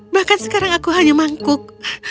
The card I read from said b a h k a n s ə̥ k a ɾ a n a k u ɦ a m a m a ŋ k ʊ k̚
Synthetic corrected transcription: b a h k a n s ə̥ k a ɾ a ŋ a k u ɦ a ɲ a m a ŋ k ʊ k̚